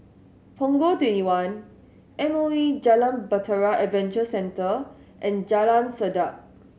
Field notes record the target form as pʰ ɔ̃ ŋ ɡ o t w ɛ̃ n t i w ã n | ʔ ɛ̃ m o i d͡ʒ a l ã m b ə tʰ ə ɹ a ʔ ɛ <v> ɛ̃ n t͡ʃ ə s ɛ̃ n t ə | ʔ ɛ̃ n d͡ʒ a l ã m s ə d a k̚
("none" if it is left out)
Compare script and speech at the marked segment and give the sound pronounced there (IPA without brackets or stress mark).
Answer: v